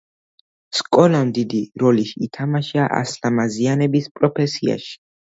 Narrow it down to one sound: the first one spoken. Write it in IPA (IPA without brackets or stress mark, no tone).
s